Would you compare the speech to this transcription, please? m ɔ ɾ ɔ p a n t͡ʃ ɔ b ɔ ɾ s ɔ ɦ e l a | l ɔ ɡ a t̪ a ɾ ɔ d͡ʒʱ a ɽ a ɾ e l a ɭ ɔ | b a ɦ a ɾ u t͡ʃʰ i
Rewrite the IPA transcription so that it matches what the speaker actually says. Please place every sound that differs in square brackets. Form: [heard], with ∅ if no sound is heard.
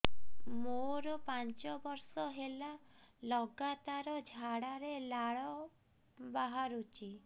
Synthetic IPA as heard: m [o] ɾ ɔ p a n t͡ʃ ɔ b ɔ ɾ s ɔ ɦ e l a | l ɔ ɡ a t̪ a ɾ ɔ d͡ʒʱ a ɽ a ɾ e l a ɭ ɔ | b a ɦ a ɾ u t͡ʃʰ i